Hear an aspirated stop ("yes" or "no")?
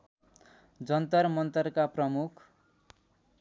yes